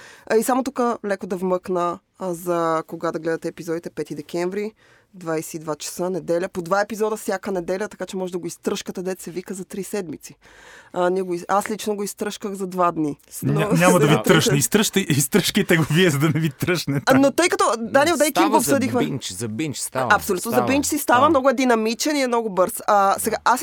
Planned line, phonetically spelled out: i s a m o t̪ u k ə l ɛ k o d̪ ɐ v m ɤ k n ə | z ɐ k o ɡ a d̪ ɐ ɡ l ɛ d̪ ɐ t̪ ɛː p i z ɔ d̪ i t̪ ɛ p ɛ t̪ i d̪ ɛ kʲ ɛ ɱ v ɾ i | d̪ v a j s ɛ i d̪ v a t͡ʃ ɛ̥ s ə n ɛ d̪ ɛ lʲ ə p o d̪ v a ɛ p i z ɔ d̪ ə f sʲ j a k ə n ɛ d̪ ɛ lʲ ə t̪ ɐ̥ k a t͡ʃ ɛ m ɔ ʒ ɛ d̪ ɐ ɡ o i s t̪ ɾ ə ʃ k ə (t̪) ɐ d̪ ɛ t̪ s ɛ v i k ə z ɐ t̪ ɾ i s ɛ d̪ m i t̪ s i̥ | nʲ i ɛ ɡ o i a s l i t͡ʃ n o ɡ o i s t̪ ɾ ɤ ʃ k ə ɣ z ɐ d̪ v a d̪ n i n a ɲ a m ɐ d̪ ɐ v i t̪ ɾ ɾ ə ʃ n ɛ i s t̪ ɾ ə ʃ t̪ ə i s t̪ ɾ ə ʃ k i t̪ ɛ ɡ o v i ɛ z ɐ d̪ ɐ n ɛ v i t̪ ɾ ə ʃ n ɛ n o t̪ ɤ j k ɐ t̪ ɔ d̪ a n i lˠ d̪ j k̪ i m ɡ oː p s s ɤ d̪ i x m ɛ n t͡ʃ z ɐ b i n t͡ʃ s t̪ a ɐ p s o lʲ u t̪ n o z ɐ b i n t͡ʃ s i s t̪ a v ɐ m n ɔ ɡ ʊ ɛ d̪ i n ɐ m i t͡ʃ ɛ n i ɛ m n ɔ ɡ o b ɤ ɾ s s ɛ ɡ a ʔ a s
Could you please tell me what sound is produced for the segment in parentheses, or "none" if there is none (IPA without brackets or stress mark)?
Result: t̪